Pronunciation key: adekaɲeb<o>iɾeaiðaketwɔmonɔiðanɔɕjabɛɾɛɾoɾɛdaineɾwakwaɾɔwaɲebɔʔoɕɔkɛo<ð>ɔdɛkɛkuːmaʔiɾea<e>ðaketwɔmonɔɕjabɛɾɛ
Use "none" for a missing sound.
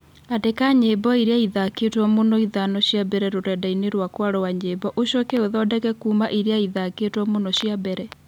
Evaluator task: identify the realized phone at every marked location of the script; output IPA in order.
ɔ, ð, i

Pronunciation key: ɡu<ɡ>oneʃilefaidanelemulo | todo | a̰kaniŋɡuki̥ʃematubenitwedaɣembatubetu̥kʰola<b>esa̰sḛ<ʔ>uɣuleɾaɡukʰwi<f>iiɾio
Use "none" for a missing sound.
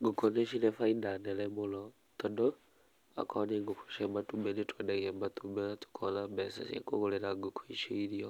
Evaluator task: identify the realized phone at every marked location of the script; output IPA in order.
k, b, k, ʃ

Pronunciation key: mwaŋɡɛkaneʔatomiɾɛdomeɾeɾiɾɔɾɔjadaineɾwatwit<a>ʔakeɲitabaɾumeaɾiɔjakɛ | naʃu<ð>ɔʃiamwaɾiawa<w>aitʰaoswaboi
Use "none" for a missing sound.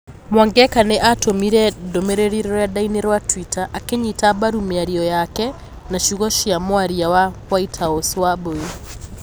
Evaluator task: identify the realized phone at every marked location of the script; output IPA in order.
a, ɣ, w

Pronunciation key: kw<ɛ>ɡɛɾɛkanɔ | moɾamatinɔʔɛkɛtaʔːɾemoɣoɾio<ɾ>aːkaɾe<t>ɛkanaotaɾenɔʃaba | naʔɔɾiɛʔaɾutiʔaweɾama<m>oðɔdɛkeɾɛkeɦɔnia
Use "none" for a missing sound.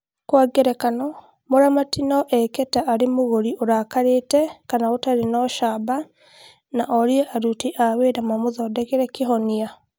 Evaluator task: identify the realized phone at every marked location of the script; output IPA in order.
a, ɾ, t, m

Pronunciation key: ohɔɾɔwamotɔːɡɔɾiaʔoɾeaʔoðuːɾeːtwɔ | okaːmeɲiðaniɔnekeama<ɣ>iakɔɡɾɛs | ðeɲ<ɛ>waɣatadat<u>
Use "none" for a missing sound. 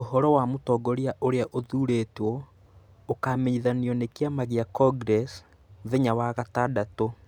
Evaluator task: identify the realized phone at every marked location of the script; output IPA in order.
ɣ, a, o

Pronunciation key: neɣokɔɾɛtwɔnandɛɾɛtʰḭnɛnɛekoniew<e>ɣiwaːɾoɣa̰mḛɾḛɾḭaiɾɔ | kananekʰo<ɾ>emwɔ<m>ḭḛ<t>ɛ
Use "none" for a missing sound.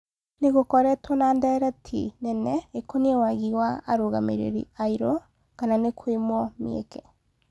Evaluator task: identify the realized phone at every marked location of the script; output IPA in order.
a, none, m, k

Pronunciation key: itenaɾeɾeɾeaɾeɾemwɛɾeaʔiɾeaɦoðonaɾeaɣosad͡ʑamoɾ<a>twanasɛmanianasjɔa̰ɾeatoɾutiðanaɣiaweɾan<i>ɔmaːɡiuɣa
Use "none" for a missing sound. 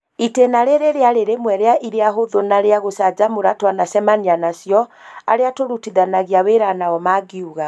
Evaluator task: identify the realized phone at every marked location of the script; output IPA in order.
a, a

